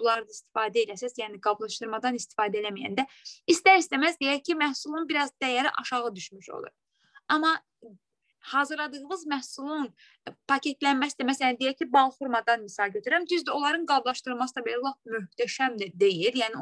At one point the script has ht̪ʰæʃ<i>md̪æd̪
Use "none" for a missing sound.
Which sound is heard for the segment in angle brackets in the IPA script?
æ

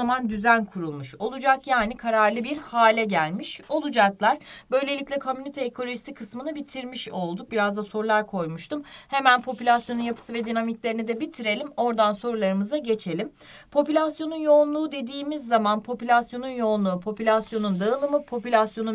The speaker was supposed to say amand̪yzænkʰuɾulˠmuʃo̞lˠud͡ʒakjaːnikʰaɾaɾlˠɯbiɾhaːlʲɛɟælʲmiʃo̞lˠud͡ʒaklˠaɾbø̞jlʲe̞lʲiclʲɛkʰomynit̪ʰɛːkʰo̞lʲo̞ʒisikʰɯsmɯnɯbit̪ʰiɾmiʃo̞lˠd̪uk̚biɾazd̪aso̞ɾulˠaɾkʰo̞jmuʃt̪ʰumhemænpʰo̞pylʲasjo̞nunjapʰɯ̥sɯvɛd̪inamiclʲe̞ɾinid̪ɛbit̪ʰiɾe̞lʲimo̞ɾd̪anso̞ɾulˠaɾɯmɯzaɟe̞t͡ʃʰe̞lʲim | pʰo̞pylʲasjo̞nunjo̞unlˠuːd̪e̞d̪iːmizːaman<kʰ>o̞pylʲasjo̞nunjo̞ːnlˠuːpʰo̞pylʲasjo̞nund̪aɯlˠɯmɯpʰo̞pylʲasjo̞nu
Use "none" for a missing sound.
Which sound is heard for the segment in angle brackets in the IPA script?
pʰ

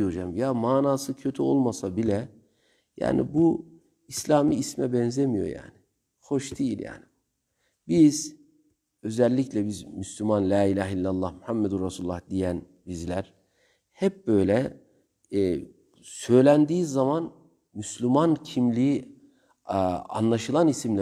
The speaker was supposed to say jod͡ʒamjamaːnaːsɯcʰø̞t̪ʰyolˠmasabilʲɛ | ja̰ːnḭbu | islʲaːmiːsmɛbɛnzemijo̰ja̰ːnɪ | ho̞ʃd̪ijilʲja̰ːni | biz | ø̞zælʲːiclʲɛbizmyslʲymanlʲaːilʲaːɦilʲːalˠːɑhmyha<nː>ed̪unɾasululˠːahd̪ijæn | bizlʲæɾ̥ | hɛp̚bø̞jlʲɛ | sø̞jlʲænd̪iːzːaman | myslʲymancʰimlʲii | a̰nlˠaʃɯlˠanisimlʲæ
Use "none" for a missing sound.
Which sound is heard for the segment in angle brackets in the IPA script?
mː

